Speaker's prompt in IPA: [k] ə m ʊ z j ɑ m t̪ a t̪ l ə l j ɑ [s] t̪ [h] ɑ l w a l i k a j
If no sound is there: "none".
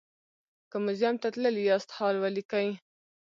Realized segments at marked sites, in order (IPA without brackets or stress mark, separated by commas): k, s, h